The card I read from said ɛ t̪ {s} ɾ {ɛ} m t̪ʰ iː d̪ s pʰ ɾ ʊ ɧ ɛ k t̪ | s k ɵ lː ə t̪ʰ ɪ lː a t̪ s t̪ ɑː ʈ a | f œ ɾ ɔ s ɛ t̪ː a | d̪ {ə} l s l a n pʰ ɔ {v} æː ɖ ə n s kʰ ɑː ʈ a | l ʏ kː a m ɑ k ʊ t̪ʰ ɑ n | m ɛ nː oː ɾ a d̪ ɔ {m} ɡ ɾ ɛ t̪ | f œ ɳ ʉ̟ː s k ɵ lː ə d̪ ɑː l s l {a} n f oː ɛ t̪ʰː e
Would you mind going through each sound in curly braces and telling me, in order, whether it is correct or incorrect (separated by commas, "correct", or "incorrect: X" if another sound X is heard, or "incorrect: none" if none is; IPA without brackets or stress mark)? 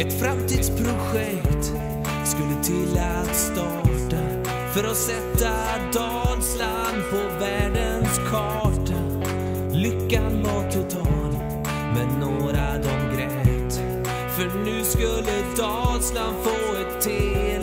incorrect: f, incorrect: a, incorrect: ɑ, correct, correct, correct